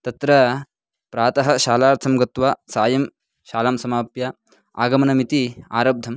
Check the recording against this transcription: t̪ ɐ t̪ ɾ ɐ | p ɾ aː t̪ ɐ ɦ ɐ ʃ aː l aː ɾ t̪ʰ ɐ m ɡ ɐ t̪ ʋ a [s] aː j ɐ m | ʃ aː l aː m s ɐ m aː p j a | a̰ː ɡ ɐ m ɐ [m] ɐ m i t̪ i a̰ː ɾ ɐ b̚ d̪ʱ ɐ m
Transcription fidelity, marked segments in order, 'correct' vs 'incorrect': correct, incorrect

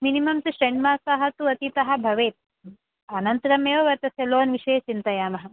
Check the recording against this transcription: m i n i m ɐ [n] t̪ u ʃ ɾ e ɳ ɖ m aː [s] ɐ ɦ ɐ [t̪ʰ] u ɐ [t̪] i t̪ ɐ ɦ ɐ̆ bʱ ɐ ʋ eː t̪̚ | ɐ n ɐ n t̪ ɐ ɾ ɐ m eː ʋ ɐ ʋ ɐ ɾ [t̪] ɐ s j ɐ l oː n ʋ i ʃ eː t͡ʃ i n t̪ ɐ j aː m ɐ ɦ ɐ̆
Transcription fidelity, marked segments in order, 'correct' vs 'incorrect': incorrect, correct, incorrect, correct, correct

